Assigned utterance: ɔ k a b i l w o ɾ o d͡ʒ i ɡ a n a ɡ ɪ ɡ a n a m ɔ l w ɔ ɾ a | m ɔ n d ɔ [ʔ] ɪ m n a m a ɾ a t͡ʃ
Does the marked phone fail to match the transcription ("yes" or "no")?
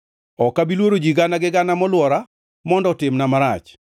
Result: yes